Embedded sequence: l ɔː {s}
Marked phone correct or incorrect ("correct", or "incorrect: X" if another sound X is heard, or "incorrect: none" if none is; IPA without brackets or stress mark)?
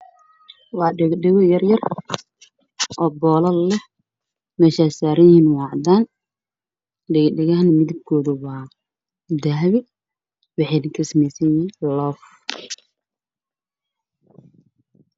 incorrect: f